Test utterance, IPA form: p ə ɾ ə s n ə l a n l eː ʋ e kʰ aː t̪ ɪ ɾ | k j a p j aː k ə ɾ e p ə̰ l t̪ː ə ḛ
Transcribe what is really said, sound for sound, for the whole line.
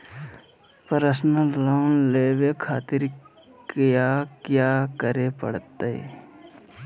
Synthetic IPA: p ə ɾ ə s n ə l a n l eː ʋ e kʰ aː t̪ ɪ ɾ | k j a k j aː k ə ɾ e p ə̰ ɽ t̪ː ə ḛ

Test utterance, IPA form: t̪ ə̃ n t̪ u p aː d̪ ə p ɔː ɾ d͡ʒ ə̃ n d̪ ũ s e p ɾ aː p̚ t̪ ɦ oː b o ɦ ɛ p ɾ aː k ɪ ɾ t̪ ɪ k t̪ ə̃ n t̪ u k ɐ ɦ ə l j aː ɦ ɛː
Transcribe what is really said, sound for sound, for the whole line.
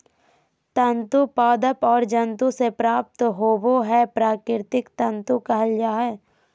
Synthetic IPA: t̪ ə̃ n t̪ u p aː d̪ ə p ɔː ɾ d͡ʒ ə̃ n t̪ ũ s e p ɾ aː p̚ t̪ ɦ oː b o ɦ ɛ p ɾ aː k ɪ ɾ t̪ ɪ k t̪ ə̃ n t̪ u k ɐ ɦ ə l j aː ɦ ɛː

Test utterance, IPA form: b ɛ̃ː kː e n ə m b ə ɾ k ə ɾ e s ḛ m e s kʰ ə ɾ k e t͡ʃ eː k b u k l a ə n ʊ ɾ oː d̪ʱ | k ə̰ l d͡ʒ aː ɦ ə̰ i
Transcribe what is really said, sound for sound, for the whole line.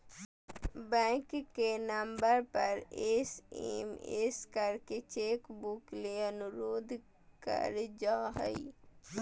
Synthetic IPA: b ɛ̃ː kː e n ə m b ə ɾ p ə ɾ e s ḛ m e s k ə ɾ k e t͡ʃ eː k b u k l e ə n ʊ ɾ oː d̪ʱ | k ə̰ ɾ d͡ʒ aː ɦ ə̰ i

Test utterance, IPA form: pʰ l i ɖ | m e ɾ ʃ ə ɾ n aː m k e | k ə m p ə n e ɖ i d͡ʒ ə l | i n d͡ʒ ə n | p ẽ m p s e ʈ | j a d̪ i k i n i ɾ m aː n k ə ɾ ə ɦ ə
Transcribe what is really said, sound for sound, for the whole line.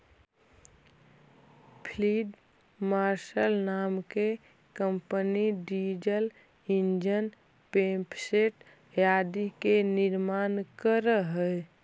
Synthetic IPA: pʰ l i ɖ | m a ɾ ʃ ə l n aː m k e | k ə m p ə n i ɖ i d͡ʒ ə l | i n d͡ʒ ə n | p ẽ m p s e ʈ | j a d̪ i k e n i ɾ m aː n k ə ɾ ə ɦ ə

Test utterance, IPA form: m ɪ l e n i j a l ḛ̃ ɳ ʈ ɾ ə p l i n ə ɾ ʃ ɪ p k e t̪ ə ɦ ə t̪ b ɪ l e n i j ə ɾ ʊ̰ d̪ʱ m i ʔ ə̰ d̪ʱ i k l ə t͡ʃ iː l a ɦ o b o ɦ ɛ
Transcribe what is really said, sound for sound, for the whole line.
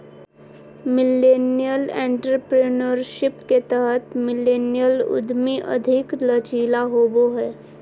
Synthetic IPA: m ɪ l e n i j ə l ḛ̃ ɳ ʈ ɾ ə p ɾ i n ə ɾ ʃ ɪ p k e t̪ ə ɦ ə t̪ m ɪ l e n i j ə l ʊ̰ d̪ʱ m i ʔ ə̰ d̪ʱ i k l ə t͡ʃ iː l a ɦ o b o ɦ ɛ

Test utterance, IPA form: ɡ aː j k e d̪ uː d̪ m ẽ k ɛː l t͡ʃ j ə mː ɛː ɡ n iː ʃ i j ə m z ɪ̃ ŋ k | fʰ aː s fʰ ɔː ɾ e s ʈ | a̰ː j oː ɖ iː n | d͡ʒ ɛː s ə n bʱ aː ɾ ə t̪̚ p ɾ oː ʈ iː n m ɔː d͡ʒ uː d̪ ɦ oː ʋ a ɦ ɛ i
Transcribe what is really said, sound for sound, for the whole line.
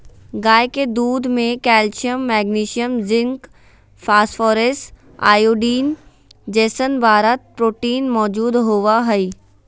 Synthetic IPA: ɡ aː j k e d̪ uː d̪ m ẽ k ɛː l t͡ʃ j ə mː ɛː ɡ n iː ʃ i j ə m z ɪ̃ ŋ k | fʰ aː s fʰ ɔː ɾ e s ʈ | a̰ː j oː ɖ iː n | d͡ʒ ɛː s ə n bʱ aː ɾ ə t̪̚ p ɾ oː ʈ iː n m ɔː d͡ʒ uː d̪ ɦ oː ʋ a ɦ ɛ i

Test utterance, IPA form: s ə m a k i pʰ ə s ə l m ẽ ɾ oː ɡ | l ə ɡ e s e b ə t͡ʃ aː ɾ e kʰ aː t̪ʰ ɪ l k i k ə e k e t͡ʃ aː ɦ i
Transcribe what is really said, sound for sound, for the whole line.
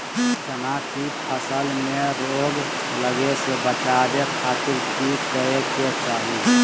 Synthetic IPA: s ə n a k i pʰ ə s ə l m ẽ ɾ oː ɡ | l ə ɡ e s e b ə t͡ʃ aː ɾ e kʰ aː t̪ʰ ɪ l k i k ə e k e t͡ʃ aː ɦ i

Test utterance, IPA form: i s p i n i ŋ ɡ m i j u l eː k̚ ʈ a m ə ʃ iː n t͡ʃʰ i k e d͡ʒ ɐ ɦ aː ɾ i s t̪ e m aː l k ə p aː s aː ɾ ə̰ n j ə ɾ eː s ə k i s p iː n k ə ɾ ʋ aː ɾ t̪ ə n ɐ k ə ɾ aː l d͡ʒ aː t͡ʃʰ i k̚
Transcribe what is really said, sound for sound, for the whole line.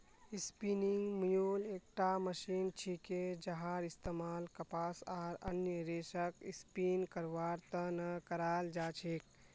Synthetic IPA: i s p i n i ŋ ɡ m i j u l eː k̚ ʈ a m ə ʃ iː n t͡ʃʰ i k e d͡ʒ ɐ ɦ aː ɾ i s t̪ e m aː l k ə p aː s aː ɾ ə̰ n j ə ɾ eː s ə k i s p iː n k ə ɾ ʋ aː ɾ t̪ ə n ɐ k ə ɾ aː l d͡ʒ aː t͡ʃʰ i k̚

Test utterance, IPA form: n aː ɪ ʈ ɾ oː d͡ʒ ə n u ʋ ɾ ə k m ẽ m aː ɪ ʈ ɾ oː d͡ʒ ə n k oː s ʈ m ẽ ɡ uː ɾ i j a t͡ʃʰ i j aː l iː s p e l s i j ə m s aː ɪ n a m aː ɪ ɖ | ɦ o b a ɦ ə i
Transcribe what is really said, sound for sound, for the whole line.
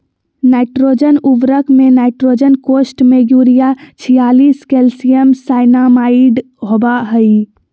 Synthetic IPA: n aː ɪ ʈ ɾ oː d͡ʒ ə n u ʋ ɾ ə k m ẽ n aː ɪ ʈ ɾ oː d͡ʒ ə n k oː s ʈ m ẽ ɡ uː ɾ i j a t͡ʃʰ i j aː l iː s k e l s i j ə m s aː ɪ n a m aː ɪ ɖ | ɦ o b a ɦ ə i

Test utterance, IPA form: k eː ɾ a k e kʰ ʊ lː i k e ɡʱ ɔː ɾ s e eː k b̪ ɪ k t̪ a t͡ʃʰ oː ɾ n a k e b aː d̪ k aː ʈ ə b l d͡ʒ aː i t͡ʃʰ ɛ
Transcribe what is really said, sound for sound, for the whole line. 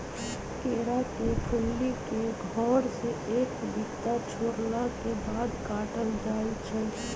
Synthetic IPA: k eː ɾ a k e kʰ ʊ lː i k e ɡʱ ɔː ɾ s e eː k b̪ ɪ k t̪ a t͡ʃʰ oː ɾ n a k e b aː d̪ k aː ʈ ə l d͡ʒ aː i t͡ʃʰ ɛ

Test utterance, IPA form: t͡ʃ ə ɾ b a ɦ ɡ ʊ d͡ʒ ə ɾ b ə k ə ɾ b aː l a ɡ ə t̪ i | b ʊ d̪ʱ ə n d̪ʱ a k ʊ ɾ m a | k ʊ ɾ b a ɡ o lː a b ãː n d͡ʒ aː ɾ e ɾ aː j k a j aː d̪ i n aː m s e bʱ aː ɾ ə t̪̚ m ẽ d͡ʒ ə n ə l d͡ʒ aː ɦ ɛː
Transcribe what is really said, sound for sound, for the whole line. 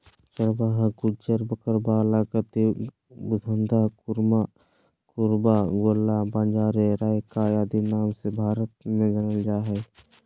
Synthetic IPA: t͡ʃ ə ɾ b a ɦ ɡ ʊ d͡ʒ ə ɾ b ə k ə ɾ b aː l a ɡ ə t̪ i | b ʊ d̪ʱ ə n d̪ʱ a k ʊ ɾ m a | k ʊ ɾ b a ɡ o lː a b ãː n d͡ʒ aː ɾ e ɾ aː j k a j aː d̪ i n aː m s e bʱ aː ɾ ə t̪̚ m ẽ d͡ʒ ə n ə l d͡ʒ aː ɦ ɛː

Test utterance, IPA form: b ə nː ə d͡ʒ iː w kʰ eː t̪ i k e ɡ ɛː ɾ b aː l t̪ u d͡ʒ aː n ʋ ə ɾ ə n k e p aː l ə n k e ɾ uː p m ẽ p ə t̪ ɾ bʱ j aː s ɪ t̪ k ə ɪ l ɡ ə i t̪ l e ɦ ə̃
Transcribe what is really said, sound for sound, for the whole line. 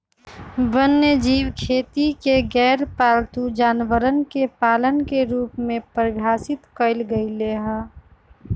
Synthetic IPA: b ə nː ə d͡ʒ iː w kʰ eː t̪ i k e ɡ ɛː ɾ p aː l t̪ u d͡ʒ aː n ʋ ə ɾ ə n k e p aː l ə n k e ɾ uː p m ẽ p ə ɾ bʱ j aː s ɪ t̪ k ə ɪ l ɡ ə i l e ɦ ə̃

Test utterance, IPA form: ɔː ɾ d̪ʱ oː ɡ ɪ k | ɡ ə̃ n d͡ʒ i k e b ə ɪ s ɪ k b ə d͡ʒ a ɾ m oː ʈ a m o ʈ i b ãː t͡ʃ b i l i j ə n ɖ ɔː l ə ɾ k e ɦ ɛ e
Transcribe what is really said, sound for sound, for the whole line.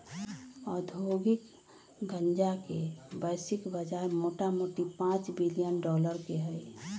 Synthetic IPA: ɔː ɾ d̪ʱ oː ɡ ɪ k | ɡ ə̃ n d͡ʒ a k e b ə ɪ s ɪ k b ə d͡ʒ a ɾ m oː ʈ a m o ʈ i p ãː t͡ʃ b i l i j ə n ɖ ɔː l ə ɾ k e ɦ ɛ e

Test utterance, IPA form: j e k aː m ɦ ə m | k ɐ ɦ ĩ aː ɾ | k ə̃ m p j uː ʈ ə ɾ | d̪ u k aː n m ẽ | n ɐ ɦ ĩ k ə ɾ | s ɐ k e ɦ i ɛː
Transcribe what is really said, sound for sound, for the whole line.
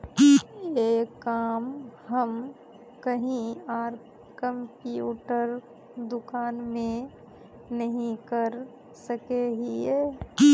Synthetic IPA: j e k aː m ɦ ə m | k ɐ ɦ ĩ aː ɾ | k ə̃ m p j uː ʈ ə ɾ | d̪ ʊ k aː n m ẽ | n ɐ ɦ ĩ k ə ɾ | s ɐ k e ɦ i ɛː

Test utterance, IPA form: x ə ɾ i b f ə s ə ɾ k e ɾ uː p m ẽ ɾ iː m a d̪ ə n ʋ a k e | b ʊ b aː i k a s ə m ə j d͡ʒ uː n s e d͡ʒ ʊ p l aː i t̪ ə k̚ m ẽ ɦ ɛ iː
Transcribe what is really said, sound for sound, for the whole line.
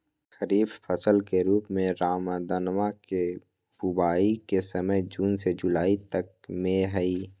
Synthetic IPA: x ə ɾ iː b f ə s ə l k e ɾ uː p m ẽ ɾ aː m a d̪ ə n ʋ a k e | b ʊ b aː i k e s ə m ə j d͡ʒ uː n s e d͡ʒ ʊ l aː i t̪ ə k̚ m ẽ ɦ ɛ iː

